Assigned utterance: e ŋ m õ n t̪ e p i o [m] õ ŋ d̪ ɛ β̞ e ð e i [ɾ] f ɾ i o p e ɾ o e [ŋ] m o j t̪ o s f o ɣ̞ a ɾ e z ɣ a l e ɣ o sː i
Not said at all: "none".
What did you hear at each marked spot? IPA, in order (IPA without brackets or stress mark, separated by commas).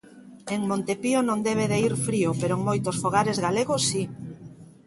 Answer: n, ɾ, ŋ